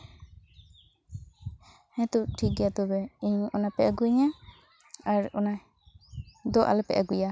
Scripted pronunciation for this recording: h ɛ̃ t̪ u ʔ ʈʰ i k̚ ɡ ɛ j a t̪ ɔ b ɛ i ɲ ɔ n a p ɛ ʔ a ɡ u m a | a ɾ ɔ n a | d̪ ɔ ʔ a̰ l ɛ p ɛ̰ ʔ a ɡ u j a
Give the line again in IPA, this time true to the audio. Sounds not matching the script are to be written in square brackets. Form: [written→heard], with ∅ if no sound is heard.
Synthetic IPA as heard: h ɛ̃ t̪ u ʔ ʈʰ i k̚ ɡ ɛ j a t̪ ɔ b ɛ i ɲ ɔ n a p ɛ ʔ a ɡ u [m→ɲ] a | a ɾ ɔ n a | d̪ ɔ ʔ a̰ l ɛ p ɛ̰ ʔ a ɡ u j a

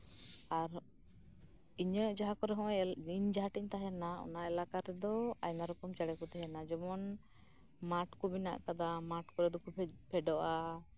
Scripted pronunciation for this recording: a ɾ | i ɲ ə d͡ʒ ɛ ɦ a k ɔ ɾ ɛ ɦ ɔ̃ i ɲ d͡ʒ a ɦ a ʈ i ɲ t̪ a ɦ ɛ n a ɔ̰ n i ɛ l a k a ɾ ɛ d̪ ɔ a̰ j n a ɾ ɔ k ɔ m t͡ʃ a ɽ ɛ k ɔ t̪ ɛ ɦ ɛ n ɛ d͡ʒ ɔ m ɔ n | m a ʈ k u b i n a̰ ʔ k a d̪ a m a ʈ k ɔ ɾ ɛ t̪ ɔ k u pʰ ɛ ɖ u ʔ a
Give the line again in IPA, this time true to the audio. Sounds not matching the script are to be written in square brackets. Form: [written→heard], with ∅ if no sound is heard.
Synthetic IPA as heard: a ɾ | i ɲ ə d͡ʒ [ɛ→a] ɦ a k ɔ ɾ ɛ ɦ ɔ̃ i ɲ d͡ʒ a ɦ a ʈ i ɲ t̪ a ɦ ɛ n a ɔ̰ n [i→a] ɛ l a k a ɾ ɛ d̪ ɔ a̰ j n a ɾ ɔ k ɔ m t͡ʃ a ɽ ɛ k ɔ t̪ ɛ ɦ ɛ n [ɛ→a] d͡ʒ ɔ m ɔ n | m a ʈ k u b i n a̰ ʔ k a d̪ a m a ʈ k ɔ ɾ ɛ [t̪→d̪] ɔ k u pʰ ɛ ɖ [u→ɔ] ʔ a

